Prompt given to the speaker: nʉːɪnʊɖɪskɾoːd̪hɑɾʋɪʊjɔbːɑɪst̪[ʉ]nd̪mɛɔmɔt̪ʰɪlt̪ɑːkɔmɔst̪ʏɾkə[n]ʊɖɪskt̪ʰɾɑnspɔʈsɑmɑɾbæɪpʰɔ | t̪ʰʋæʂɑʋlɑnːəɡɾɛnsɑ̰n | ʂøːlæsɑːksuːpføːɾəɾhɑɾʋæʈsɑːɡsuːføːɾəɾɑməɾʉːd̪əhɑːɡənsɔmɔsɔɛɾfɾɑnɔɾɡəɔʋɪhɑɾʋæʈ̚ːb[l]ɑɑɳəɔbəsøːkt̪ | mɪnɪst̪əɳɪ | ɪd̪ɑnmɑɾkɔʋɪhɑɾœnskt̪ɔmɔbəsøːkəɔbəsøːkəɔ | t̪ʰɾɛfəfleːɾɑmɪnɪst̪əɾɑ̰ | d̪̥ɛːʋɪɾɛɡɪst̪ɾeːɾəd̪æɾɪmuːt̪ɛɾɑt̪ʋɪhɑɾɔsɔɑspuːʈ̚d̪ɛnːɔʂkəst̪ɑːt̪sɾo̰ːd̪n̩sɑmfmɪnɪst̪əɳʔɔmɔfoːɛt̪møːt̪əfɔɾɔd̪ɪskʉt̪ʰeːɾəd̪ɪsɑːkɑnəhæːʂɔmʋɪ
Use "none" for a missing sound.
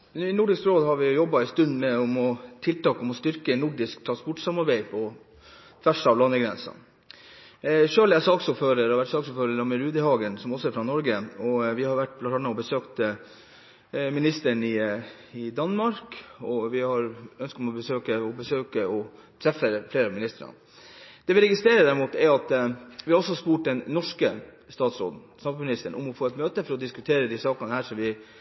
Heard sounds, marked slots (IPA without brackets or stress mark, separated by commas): ʉ, n, l